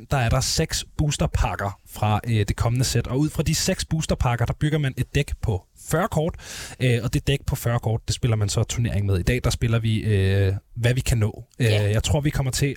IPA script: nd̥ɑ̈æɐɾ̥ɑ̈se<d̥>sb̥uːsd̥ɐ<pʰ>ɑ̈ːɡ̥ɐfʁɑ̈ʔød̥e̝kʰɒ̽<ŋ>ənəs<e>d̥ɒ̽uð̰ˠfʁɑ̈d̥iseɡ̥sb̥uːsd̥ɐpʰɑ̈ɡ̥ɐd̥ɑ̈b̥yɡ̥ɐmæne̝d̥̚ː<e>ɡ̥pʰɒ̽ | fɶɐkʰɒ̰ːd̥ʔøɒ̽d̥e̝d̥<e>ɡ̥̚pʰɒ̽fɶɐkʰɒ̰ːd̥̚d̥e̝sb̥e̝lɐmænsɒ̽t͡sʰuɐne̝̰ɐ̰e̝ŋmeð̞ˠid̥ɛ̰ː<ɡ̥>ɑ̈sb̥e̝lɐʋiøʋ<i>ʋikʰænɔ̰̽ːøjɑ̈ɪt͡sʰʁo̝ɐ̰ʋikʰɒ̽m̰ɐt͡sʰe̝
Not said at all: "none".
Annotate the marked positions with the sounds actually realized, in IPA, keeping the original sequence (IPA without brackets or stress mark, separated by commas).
ɡ̥, pʰ, m, e, e, e, d̥, æ